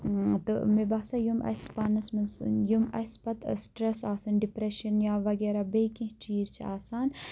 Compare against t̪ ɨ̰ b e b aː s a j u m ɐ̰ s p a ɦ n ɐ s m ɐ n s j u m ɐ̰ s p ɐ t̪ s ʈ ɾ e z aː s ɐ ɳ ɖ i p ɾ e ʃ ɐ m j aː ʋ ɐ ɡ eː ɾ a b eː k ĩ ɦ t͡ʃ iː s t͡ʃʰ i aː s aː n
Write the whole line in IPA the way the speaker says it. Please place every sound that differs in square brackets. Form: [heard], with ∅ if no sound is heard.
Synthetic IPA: t̪ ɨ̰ [m] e b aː s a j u m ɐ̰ s p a [∅] n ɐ s m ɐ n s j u m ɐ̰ s p ɐ t̪ s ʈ ɾ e [s] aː s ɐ [n] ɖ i p ɾ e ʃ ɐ [n] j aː ʋ ɐ ɡ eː ɾ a b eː k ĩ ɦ t͡ʃ iː [z] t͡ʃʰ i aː s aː n

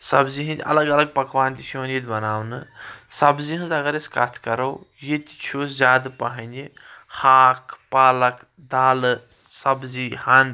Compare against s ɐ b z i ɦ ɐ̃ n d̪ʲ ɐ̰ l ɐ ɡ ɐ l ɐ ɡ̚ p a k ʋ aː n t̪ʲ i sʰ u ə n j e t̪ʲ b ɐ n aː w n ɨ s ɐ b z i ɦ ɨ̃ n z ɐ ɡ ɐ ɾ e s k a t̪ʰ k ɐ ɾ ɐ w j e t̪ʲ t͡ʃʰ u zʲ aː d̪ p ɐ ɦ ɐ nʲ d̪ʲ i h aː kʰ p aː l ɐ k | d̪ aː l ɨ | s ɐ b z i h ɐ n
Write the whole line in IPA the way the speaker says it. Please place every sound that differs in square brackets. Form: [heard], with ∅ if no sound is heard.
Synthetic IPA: s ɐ b z i ɦ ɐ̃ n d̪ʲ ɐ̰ l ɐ ɡ ɐ l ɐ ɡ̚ p [ɐ] k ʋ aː n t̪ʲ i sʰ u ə n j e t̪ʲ b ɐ n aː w n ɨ s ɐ b z i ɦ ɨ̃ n z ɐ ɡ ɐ ɾ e s k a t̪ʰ k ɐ ɾ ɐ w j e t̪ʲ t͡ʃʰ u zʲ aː d̪ p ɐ ɦ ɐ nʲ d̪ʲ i h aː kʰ p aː l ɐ k | d̪ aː l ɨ | s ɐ b z i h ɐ n

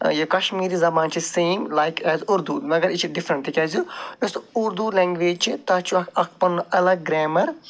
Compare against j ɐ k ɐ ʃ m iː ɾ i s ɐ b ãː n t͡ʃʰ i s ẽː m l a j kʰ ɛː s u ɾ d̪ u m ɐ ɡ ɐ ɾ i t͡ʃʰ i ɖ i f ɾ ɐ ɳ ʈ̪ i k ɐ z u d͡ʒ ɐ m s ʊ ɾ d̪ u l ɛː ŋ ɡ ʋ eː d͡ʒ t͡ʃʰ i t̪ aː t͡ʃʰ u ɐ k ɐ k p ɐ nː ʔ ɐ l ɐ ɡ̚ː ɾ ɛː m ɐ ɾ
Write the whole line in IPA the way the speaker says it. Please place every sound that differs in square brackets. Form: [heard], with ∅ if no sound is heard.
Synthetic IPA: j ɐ k ɐ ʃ m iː ɾ i [z] ɐ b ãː n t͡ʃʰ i s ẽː m l a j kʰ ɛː [z] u ɾ d̪ u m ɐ ɡ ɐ ɾ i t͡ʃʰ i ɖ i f ɾ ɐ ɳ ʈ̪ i k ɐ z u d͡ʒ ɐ [∅] s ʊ ɾ d̪ u l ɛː ŋ ɡ ʋ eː d͡ʒ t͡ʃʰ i t̪ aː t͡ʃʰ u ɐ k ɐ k p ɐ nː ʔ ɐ l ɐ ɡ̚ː ɾ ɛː m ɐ ɾ

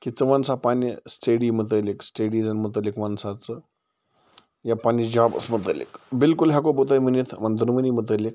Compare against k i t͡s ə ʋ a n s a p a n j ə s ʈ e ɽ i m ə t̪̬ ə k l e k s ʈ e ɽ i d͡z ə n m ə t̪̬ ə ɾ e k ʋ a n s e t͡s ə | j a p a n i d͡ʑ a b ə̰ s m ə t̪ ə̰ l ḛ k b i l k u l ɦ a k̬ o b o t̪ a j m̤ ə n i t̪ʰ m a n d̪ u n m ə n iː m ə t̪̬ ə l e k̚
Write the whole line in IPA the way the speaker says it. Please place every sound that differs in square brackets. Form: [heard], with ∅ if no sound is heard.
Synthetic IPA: k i t͡s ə ʋ a n s a p a n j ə s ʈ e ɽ i m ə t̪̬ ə [∅] l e k s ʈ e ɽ i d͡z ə n m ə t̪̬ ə [l] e k ʋ a n s [a] t͡s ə | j a p a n i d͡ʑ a b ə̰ s m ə t̪ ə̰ l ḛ k b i l k u l ɦ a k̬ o b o t̪ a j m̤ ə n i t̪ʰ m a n d̪ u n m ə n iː m ə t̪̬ ə l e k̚

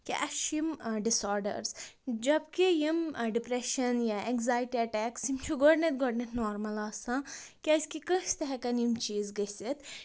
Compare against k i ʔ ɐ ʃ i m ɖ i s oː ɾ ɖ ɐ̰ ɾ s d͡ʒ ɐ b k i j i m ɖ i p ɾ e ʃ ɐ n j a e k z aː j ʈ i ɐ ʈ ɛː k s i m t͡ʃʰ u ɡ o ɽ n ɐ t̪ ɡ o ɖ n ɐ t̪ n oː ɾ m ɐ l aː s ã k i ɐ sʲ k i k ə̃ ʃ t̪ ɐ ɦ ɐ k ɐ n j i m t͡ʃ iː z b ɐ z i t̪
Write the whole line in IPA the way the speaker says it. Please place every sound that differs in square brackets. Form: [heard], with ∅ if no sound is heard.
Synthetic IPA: k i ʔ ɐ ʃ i m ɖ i s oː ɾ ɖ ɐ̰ ɾ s d͡ʒ ɐ b k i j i m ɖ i p ɾ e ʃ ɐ n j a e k z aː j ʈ i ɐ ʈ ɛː k s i m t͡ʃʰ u ɡ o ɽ n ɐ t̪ ɡ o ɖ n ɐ t̪ n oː ɾ m ɐ l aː s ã k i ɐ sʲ k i k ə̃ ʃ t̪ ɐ ɦ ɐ k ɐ n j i m t͡ʃ iː z [ɡ] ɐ [s] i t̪

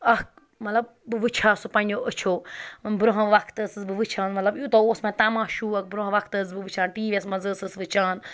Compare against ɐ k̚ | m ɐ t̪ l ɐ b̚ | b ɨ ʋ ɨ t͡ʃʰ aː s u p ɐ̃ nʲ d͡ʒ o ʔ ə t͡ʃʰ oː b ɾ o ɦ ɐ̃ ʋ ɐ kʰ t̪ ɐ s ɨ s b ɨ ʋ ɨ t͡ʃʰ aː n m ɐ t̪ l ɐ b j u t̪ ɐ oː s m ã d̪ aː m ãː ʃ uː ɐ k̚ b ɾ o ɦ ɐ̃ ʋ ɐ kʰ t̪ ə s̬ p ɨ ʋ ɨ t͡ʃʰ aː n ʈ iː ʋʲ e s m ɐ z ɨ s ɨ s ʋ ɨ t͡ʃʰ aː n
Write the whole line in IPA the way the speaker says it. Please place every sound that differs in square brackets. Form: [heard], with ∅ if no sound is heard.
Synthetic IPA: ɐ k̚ | m ɐ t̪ l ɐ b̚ | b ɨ ʋ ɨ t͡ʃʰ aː s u p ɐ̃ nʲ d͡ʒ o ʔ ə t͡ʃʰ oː b ɾ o ɦ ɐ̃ ʋ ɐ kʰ t̪ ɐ s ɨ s b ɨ ʋ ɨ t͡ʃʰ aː n m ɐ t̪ l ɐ b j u t̪ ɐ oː s m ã [t̪] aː m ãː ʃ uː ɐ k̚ b ɾ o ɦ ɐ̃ ʋ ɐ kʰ t̪ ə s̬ [b] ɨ ʋ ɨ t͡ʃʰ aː n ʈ iː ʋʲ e s m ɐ z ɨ s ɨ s ʋ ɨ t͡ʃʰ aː n

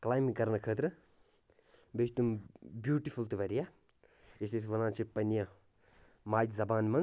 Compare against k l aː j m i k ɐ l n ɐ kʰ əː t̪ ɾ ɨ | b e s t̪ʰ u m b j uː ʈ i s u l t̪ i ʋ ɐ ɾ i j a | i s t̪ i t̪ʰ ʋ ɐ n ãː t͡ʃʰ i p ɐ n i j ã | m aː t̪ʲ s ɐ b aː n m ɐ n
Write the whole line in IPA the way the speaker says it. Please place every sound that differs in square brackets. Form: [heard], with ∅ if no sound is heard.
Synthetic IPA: k l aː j m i k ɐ [ɾ] n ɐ kʰ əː t̪ ɾ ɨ | b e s [t̪] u m b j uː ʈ i [f] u l t̪ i ʋ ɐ ɾ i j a | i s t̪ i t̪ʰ ʋ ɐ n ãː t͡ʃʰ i p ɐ n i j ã | m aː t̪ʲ [z] ɐ b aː n m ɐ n

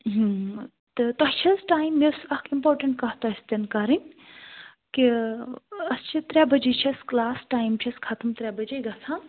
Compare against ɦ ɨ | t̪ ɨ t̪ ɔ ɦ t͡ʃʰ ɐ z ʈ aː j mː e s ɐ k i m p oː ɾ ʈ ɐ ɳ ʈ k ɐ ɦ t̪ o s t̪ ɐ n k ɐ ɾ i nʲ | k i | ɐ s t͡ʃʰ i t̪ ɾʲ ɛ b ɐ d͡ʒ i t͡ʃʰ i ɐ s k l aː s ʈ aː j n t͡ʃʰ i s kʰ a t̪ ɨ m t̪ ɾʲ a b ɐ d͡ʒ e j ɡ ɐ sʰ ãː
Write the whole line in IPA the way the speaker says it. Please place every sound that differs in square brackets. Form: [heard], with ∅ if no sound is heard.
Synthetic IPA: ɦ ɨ | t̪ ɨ t̪ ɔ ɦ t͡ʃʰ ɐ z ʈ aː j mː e s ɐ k i m p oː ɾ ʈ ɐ ɳ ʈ k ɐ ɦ t̪ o s t̪ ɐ n k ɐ ɾ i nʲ | k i | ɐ s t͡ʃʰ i t̪ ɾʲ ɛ b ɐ d͡ʒ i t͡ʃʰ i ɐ s k l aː s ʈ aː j [m] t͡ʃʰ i s kʰ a t̪ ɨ m t̪ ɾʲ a b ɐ d͡ʒ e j ɡ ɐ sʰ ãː

